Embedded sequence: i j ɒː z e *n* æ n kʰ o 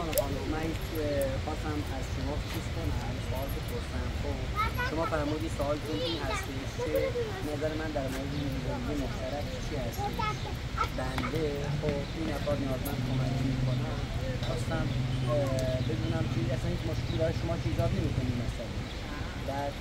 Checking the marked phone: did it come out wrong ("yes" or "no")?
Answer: yes